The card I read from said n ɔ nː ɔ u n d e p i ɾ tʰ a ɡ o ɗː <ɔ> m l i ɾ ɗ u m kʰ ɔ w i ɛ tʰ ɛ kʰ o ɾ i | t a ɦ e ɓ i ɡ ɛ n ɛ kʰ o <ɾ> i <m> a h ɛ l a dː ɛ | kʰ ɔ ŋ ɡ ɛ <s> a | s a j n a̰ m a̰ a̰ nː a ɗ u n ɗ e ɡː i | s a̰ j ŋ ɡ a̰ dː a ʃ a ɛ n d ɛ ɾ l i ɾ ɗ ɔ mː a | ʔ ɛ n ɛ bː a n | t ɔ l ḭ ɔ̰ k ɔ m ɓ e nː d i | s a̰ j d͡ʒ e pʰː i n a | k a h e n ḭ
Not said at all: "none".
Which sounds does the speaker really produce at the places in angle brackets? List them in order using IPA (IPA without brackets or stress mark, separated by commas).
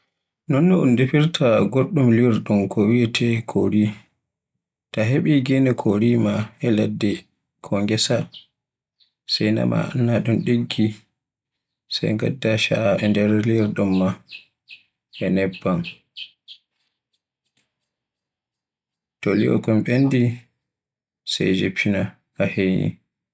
u, ɾ, m, s